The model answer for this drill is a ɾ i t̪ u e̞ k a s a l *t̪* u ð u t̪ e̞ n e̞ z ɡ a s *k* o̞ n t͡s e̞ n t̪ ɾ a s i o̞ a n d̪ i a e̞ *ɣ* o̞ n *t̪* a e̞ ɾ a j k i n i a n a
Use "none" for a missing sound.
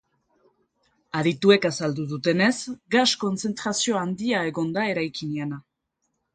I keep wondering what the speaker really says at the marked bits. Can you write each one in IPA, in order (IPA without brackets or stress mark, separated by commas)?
d̪, k, ɣ, d̪